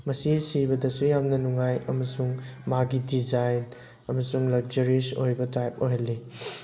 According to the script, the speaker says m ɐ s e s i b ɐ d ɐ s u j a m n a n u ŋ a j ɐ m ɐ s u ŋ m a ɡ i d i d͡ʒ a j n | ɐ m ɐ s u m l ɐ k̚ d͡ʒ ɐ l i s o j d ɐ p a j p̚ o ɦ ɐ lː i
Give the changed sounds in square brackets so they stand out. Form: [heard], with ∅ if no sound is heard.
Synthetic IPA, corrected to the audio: m ɐ s [i] s i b ɐ d ɐ s u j a m n [ɐ] n u ŋ a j ɐ m ɐ s u ŋ m a ɡ i d i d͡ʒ a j n | ɐ m ɐ s u [ŋ] l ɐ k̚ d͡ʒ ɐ [ɾ] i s o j [b] ɐ [t] a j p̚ o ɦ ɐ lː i